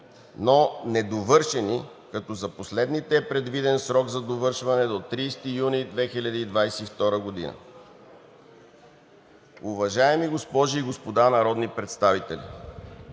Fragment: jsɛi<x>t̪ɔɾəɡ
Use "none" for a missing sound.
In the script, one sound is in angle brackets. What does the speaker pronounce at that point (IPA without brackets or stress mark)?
f